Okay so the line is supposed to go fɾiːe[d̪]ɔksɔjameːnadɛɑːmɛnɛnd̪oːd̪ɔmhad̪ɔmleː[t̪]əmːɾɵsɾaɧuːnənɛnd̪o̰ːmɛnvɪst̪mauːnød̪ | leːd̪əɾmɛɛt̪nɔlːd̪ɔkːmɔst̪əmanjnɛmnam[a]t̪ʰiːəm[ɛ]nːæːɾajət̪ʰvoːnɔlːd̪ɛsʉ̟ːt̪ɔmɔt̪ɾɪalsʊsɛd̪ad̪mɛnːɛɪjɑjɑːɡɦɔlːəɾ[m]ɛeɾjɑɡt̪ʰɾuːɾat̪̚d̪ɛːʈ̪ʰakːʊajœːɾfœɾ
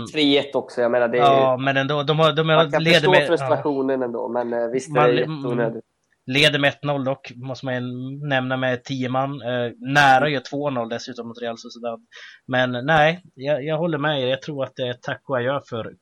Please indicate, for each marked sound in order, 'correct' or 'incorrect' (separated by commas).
incorrect, incorrect, incorrect, incorrect, correct